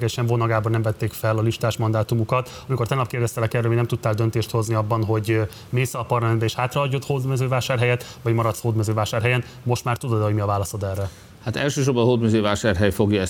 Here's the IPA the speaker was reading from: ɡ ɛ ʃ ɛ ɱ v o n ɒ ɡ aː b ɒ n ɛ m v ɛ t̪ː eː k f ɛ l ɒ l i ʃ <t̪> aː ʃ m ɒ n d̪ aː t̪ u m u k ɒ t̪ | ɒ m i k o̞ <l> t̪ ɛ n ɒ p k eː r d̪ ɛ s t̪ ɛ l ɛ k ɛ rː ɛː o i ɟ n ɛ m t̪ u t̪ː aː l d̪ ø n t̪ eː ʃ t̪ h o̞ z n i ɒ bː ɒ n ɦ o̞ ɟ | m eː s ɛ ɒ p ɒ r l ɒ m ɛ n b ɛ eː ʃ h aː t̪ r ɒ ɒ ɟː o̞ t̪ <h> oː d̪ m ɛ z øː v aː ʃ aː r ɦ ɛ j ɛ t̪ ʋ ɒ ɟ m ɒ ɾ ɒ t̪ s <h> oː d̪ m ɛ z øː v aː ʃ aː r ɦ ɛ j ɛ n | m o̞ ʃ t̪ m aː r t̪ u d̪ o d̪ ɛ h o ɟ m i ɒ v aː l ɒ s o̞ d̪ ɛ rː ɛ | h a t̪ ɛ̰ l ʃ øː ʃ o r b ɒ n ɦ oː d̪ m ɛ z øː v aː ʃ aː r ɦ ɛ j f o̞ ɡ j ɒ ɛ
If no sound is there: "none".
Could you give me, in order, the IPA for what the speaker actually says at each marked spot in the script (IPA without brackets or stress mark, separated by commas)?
t̪, r, h, h